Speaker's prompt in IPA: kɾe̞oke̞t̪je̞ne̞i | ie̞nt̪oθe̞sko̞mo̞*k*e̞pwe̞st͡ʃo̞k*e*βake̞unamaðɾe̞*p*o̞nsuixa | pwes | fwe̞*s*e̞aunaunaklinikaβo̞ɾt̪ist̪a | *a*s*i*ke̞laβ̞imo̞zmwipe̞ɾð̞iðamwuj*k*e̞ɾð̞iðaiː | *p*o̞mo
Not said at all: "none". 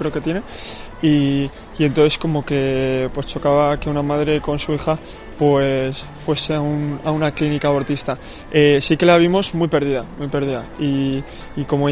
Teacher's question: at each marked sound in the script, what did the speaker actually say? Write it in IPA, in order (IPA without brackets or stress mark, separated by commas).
k, a, k, s, e, i, p, k